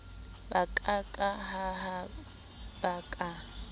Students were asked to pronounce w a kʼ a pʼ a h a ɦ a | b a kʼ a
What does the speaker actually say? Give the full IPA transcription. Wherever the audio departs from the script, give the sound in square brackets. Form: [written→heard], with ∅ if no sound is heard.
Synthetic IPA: [w→b] a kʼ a [pʼ→kʼ] a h a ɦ a | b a kʼ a